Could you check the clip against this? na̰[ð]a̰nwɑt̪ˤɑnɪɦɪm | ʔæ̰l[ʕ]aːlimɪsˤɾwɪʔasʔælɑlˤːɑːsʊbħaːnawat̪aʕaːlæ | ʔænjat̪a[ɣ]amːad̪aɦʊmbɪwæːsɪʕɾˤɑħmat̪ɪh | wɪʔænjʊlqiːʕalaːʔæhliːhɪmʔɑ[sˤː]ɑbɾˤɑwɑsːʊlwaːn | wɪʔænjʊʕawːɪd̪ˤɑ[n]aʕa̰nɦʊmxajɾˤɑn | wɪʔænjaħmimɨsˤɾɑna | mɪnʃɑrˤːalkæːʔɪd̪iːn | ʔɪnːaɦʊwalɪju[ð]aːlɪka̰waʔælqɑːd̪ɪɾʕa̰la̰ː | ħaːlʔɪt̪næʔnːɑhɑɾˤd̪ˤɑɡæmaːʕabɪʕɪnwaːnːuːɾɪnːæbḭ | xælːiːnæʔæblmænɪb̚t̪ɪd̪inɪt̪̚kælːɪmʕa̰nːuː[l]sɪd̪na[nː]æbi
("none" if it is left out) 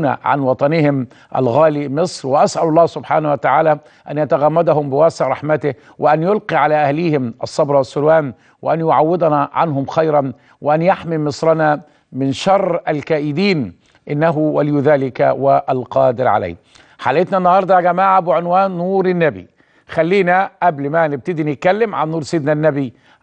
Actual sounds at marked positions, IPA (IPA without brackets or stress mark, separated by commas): ʕ, ɣ, ɣ, sˤː, n, ð, ɾ, nː